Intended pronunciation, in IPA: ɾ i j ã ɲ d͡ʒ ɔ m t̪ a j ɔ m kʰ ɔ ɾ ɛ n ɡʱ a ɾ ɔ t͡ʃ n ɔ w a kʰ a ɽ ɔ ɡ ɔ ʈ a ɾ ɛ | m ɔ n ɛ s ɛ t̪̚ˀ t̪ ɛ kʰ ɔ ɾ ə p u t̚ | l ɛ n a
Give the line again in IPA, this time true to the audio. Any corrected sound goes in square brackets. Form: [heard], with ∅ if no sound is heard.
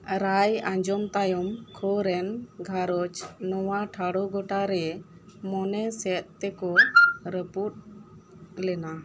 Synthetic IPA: ɾ [a] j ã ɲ d͡ʒ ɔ m t̪ a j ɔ m kʰ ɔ ɾ ɛ n ɡʱ a ɾ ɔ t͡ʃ n ɔ w a [ʈʰ] a ɽ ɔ ɡ ɔ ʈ a ɾ ɛ | m ɔ n ɛ s ɛ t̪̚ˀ t̪ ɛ [k] ɔ ɾ ə p u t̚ | l ɛ n a